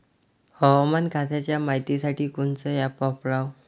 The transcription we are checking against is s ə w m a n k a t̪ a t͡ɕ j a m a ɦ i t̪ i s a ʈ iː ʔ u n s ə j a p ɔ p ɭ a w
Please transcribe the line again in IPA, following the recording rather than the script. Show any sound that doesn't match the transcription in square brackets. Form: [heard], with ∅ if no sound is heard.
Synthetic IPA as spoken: [h] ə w m a n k a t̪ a t͡ɕ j a m a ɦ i t̪ i s a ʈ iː [k] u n [t͡s] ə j a p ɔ p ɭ a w